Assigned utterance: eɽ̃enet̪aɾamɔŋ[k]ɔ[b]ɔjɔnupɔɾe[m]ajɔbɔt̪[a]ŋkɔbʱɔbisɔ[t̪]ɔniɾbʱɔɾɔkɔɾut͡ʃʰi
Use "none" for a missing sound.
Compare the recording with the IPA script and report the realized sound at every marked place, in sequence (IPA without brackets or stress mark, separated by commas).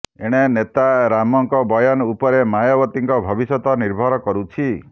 k, b, m, i, t̪